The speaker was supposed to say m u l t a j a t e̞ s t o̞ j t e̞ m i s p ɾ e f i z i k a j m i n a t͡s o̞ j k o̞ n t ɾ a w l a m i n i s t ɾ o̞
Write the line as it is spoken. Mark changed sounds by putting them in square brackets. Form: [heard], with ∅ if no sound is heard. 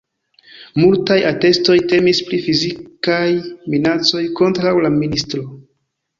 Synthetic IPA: m u l t a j a t e̞ s t o̞ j t e̞ m i s p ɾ [i] f i z i k a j m i n a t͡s o̞ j k o̞ n t ɾ a w l a m i n i s t ɾ o̞